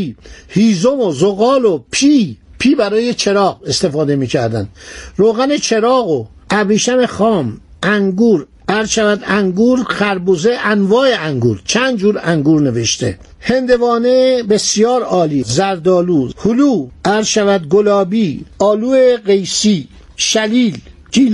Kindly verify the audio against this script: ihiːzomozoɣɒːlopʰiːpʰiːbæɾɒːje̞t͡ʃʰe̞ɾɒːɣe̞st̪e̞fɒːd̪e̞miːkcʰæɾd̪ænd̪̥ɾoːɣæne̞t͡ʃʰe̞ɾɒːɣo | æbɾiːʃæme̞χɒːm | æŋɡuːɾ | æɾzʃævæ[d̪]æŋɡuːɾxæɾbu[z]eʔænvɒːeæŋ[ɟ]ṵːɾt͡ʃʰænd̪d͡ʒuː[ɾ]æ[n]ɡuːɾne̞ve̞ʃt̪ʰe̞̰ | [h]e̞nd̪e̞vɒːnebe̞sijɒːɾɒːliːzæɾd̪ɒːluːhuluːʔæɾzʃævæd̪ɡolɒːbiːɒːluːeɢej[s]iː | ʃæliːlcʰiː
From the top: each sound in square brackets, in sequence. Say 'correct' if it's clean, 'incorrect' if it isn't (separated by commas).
correct, correct, incorrect, correct, incorrect, correct, correct